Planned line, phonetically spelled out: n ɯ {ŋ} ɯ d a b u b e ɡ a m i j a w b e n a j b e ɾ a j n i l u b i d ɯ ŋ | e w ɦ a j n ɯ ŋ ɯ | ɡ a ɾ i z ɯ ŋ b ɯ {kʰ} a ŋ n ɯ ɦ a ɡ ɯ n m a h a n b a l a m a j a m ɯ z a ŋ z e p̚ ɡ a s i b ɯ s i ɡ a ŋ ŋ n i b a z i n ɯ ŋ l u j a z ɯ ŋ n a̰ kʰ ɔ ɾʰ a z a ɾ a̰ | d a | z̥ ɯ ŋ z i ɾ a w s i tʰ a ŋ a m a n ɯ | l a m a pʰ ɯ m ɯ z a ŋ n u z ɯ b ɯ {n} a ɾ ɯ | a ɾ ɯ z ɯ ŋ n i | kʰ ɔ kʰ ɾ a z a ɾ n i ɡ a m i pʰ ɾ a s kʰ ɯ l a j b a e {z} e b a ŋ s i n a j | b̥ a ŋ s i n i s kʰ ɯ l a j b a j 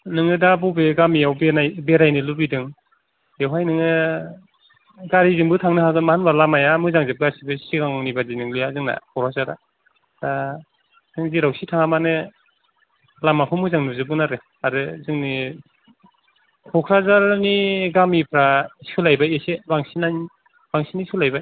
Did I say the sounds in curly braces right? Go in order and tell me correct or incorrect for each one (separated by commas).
correct, incorrect, correct, incorrect